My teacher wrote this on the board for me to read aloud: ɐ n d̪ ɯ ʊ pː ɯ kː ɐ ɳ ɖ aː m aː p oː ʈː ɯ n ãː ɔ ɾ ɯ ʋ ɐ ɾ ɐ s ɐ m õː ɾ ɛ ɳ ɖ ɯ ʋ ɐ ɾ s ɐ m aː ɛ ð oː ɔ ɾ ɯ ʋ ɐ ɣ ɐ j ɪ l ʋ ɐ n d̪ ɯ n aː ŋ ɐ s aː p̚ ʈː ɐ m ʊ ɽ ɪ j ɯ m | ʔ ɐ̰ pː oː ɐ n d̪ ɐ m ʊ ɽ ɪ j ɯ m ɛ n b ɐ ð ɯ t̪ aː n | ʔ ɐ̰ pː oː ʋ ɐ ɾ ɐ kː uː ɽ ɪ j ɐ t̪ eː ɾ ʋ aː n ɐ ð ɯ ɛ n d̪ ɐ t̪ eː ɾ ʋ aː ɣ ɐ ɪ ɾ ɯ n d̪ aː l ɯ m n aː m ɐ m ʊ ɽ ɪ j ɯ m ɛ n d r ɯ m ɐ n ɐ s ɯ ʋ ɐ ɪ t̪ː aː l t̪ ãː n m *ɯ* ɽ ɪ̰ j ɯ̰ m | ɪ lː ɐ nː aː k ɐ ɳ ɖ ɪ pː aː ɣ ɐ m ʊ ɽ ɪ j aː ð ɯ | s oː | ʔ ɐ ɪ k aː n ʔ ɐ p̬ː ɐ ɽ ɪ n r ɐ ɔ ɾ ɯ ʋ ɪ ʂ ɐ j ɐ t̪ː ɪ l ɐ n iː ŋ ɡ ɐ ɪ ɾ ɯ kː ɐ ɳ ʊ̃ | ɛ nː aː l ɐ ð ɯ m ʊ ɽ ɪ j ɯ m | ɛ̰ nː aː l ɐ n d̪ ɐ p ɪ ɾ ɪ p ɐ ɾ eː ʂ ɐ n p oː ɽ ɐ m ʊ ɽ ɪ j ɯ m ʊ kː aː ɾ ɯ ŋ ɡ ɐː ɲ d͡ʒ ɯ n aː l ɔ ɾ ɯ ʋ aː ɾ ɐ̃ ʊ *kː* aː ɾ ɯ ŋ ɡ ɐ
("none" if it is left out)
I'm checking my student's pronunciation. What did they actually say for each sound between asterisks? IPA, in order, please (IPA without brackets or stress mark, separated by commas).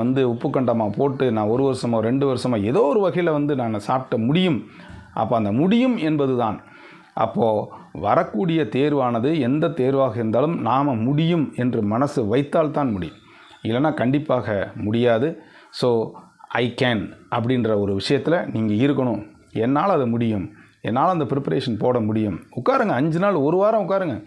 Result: ʊ, kː